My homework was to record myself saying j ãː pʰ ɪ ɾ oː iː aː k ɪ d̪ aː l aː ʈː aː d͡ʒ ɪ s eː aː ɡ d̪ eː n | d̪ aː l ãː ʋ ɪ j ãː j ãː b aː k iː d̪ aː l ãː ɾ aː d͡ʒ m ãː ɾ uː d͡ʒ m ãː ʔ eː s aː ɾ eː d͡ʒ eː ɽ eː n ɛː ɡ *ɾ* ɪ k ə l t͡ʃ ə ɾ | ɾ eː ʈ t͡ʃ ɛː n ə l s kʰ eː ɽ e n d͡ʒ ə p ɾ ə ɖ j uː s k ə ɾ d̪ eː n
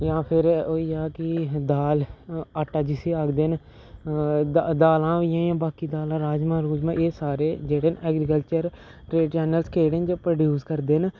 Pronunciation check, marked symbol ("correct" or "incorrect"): correct